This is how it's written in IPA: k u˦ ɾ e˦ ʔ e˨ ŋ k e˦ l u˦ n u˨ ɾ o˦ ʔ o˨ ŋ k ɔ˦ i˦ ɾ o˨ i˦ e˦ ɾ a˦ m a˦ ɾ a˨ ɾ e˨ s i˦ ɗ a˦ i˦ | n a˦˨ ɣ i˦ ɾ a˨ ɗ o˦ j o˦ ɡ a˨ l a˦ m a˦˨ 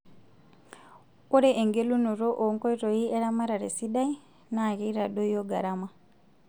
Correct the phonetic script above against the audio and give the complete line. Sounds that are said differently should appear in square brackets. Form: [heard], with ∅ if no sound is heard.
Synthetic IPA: k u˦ ɾ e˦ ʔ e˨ ŋ [ɡ] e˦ l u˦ n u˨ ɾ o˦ ʔ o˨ ŋ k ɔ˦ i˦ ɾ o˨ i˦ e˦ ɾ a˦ m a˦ ɾ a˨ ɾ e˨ s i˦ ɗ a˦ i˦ | n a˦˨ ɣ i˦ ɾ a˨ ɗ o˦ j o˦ ɡ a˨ [ɾ] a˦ m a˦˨